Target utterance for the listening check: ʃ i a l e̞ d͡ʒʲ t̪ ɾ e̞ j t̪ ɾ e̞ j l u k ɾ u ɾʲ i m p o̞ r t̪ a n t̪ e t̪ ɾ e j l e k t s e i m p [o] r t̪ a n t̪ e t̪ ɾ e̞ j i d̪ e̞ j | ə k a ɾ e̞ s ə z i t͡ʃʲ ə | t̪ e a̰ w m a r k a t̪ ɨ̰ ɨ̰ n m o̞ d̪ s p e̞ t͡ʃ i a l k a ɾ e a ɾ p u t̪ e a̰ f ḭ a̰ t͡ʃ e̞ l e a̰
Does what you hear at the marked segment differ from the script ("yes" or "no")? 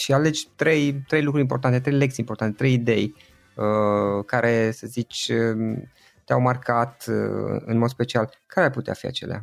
no